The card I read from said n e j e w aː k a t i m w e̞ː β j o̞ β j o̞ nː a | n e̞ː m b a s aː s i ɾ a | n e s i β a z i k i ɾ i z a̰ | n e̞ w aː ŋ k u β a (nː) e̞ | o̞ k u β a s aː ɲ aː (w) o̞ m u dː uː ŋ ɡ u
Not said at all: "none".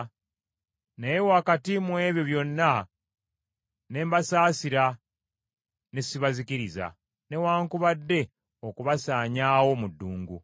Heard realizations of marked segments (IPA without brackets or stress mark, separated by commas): dː, w